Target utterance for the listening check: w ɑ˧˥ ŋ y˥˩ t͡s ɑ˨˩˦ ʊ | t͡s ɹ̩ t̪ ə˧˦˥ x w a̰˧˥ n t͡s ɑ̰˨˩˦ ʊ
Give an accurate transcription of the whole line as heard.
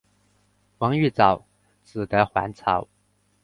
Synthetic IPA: w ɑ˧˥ ŋ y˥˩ t͡s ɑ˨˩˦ ʊ | t͡s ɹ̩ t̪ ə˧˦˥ x w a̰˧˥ n t͡sʰ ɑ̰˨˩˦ ʊ